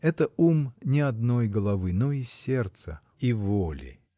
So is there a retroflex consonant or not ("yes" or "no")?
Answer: no